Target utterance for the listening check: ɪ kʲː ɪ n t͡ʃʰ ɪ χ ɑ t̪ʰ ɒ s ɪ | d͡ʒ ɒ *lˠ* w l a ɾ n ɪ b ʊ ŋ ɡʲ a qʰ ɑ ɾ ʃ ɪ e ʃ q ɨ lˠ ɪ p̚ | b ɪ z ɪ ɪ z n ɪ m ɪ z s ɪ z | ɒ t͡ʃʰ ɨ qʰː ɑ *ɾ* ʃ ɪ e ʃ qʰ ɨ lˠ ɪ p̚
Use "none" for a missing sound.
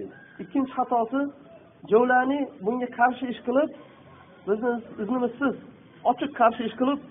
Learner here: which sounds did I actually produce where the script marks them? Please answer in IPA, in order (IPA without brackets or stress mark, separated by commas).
none, ɾ